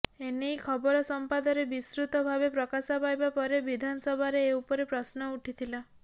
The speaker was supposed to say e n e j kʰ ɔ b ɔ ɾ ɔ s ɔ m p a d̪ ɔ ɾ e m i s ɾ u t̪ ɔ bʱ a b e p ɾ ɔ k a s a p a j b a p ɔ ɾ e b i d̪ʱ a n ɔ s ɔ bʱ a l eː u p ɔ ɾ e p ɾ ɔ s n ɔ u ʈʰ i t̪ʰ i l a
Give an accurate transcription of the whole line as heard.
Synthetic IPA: e n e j kʰ ɔ b ɔ ɾ ɔ s ɔ m p a d̪ ɔ ɾ e b i s ɾ u t̪ ɔ bʱ a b e p ɾ ɔ k a s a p a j b a p ɔ ɾ e b i d̪ʱ a n ɔ s ɔ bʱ a ɾ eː u p ɔ ɾ e p ɾ ɔ s n ɔ u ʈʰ i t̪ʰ i l a